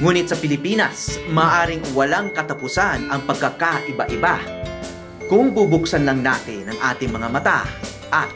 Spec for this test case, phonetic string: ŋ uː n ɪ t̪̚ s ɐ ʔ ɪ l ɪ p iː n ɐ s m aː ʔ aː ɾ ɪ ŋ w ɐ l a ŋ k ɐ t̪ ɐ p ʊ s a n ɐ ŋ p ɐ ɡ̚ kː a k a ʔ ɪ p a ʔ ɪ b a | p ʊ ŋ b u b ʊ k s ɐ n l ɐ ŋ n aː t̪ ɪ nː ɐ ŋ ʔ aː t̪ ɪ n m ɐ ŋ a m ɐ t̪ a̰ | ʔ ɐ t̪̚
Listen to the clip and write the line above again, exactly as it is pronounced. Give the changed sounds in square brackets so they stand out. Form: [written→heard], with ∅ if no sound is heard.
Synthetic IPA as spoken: ŋ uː n ɪ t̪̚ s ɐ [ʔ→p] ɪ l ɪ p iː n ɐ s m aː ʔ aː ɾ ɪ ŋ w ɐ l a ŋ k ɐ t̪ ɐ p ʊ s a n ɐ ŋ p ɐ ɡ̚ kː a k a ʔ ɪ [p→b] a ʔ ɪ b a | [p→k] ʊ ŋ b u b ʊ k s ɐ n l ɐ ŋ n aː t̪ ɪ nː ɐ ŋ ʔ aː t̪ ɪ [n→ŋ] m ɐ ŋ a m ɐ t̪ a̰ | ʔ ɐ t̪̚

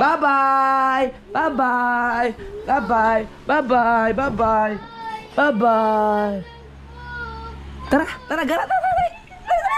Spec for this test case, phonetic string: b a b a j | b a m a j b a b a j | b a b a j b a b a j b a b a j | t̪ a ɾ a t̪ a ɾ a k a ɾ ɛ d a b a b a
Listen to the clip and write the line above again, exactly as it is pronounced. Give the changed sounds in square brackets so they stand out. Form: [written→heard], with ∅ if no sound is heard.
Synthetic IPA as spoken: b a b a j | b a [m→b] a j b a b a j | b a b a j b a b a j b a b a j | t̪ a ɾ a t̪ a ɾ a [k→ɡ] a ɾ [ɛ→a] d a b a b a

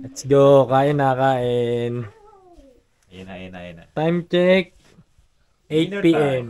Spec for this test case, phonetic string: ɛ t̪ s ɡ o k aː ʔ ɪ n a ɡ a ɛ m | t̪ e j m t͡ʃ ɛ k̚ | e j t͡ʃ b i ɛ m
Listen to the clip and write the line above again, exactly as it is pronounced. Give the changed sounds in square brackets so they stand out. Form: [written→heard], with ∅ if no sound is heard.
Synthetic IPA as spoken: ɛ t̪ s ɡ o k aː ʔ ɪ n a [ɡ→k] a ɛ [m→n] | t̪ [e→a] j m t͡ʃ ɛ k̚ | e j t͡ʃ [b→p] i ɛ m

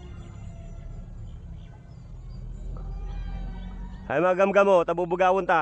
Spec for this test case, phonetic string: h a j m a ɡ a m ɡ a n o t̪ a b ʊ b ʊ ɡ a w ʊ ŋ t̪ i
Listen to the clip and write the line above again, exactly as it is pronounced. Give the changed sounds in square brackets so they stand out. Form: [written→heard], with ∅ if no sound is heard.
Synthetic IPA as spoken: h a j m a ɡ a m ɡ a [n→m] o t̪ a b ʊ b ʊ ɡ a w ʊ [ŋ→n] t̪ [i→a]

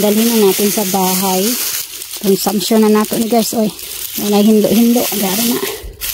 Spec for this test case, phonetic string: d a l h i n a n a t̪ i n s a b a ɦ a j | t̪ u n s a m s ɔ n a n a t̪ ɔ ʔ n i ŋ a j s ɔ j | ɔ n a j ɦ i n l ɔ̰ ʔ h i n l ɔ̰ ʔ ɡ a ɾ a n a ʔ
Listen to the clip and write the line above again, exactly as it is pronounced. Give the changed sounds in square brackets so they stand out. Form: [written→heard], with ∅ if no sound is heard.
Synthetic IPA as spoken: d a l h i n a n a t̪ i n s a b a ɦ a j | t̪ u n s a m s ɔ n a n a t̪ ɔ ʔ n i [ŋ→ɡ] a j s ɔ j | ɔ n a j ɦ i n l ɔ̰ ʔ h i n l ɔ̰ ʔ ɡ a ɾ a n a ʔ

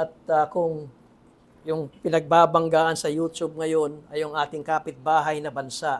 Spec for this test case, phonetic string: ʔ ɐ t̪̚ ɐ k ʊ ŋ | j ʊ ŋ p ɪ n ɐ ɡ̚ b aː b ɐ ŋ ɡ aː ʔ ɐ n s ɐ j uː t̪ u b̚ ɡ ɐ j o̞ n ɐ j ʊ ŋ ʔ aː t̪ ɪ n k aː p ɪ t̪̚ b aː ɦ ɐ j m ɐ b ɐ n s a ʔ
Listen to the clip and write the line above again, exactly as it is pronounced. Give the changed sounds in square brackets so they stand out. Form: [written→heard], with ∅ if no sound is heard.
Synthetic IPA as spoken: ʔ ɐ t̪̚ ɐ k ʊ ŋ | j ʊ ŋ p ɪ n ɐ ɡ̚ b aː b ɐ ŋ ɡ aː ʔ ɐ n s ɐ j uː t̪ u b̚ [ɡ→ŋ] ɐ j o̞ n ɐ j ʊ ŋ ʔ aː t̪ ɪ [n→ŋ] k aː p ɪ t̪̚ b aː ɦ ɐ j [m→n] ɐ b ɐ n s a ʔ

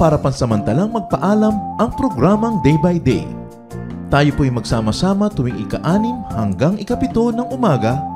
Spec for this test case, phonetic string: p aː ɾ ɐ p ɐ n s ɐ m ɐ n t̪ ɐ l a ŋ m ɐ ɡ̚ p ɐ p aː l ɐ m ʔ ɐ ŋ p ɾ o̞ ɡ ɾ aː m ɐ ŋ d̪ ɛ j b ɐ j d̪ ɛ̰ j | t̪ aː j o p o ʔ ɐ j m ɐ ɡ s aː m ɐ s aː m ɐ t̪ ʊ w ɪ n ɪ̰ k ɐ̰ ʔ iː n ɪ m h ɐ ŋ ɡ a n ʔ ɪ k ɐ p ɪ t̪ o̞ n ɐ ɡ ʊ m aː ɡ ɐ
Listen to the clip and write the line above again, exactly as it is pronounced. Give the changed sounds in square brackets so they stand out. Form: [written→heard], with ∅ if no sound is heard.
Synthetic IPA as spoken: p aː ɾ ɐ p ɐ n s ɐ m ɐ n t̪ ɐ l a ŋ m ɐ ɡ̚ p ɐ [p→ʔ] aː l ɐ m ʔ ɐ ŋ p ɾ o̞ ɡ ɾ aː m ɐ ŋ d̪ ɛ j b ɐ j d̪ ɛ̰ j | t̪ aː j o p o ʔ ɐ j m ɐ ɡ s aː m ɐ s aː m ɐ t̪ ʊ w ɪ [n→ŋ] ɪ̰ k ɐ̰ ʔ [iː→aː] n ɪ m h ɐ ŋ ɡ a [n→ŋ] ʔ ɪ k ɐ p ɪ t̪ o̞ n ɐ [ɡ→ŋ] ʊ m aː ɡ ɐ

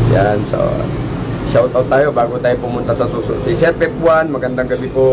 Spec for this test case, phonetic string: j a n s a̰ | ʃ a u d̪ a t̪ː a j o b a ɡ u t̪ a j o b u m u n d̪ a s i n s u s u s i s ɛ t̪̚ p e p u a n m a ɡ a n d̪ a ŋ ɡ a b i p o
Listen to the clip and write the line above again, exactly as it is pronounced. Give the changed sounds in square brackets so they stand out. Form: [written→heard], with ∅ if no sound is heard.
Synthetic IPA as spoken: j a n s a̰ | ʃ a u [d̪→t̪] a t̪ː a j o b a ɡ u t̪ a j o [b→p] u m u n [d̪→t̪] a s [i→a] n s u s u s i s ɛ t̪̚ p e p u a n m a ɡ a n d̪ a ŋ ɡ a b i p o

